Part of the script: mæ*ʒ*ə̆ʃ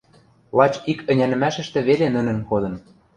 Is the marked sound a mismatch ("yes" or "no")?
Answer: yes